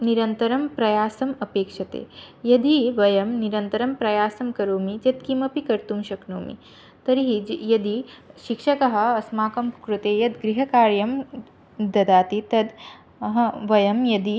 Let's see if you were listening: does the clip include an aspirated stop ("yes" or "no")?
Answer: no